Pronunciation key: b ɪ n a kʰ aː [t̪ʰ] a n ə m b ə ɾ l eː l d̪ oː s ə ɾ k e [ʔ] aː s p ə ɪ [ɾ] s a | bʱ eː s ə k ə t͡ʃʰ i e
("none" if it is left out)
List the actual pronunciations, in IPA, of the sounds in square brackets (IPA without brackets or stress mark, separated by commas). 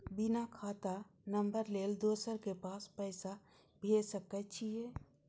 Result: t̪, p, none